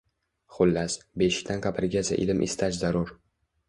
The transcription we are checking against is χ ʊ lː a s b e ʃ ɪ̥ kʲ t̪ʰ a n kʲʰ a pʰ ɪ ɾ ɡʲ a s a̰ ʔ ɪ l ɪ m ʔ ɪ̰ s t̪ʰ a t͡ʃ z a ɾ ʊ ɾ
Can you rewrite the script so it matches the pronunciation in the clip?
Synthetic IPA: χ ʊ lː a s b e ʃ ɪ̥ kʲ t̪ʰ a n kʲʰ a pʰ ɪ ɾ ɡʲ a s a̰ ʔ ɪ l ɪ m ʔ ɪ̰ s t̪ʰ a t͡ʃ z a ɾ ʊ ɾ